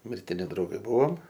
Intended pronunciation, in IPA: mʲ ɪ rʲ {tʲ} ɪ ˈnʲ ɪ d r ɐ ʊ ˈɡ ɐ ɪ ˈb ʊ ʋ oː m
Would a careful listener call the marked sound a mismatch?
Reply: no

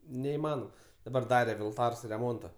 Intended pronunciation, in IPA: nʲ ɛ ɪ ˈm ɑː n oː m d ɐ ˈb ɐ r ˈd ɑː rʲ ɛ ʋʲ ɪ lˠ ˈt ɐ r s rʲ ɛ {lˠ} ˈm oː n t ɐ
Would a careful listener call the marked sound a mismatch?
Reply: yes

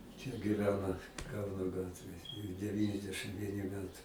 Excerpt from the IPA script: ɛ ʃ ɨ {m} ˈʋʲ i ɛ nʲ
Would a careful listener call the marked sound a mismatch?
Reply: no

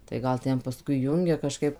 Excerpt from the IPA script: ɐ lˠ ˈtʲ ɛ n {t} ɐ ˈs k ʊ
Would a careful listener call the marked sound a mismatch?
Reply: yes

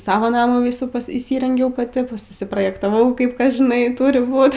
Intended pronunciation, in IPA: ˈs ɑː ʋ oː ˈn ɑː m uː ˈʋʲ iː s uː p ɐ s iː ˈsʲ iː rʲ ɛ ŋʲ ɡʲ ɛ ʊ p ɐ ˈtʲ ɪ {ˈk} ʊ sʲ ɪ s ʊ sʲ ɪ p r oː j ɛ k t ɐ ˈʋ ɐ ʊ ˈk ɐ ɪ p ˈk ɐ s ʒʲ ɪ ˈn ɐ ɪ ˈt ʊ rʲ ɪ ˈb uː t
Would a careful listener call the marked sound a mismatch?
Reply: yes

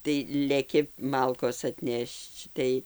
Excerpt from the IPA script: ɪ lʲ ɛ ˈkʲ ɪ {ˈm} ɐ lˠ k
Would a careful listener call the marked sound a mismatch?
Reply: no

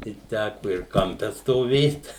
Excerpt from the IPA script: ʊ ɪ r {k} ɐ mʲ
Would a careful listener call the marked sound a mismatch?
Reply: no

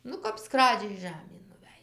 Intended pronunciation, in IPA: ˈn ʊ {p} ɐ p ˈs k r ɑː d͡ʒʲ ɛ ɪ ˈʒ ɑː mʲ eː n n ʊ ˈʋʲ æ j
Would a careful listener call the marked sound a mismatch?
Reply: yes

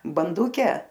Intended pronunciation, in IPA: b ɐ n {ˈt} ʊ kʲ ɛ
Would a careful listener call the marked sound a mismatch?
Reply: yes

